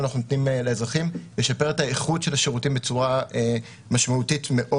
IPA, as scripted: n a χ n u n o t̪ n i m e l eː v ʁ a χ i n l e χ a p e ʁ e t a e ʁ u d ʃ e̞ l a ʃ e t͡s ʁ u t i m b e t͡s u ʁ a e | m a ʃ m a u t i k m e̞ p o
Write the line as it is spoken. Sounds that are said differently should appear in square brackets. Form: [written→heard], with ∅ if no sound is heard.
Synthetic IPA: n a χ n u n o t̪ n i m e l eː [v→z] ʁ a χ i [n→m] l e [χ→ʃ] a p e ʁ e t a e [ʁ→χ] u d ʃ e̞ l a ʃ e [t͡s→∅] ʁ u t i m b e t͡s u ʁ a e | m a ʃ m a u t i [k→t] m e̞ [p→ʔ] o

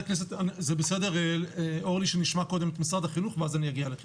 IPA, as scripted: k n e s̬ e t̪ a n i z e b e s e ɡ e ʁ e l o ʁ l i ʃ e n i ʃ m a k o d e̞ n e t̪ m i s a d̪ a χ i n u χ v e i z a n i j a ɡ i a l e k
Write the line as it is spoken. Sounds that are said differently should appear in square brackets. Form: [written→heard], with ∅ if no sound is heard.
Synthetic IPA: k n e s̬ e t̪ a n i z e b e s e [ɡ→d] e ʁ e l o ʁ l i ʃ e n i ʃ m a k o d e̞ [n→m] e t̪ m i s a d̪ a χ i n u χ v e [i→a] z a n i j a ɡ i a l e k

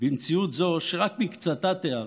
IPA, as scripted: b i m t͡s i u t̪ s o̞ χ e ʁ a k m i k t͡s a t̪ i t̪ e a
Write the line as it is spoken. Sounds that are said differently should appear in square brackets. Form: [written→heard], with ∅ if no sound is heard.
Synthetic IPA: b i m t͡s i u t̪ [s→z] o̞ [χ→ʃ] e ʁ a k m i k t͡s a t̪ [i→a] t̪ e a

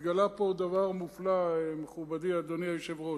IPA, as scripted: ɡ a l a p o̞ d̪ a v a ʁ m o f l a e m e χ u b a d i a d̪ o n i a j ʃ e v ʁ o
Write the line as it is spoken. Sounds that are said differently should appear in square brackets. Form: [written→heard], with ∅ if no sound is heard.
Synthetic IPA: ɡ a l a p o̞ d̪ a v a ʁ m [o→u] f l a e m e χ u b a d i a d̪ o n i a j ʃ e v ʁ o

